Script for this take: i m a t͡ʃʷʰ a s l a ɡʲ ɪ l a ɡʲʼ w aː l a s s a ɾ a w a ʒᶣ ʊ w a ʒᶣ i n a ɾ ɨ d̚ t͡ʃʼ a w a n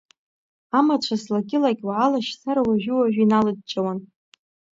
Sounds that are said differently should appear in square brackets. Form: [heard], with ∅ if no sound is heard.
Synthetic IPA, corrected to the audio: [a] m a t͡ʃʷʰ a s l a ɡʲ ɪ l a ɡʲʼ w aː l a [ʃ] s a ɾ a w a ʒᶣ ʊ w a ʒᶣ i n a [l] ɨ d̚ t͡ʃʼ a w a n